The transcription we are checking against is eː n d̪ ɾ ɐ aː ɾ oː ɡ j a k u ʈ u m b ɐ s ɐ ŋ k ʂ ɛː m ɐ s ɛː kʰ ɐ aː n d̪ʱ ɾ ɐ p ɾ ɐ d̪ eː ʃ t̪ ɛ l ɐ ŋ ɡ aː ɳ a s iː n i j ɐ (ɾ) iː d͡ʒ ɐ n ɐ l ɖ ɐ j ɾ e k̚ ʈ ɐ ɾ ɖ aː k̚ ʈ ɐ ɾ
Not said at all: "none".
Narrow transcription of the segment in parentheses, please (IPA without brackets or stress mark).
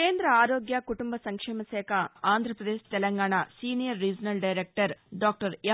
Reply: ɾː